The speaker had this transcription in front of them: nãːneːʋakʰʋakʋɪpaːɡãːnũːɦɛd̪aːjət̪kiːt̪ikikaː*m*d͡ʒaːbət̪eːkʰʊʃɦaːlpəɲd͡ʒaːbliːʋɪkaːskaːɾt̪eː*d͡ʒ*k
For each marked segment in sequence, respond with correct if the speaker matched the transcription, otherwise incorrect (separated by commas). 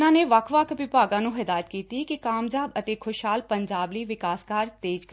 correct, correct